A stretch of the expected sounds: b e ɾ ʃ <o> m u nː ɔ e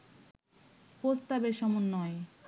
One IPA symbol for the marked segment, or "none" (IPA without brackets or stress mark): ɔ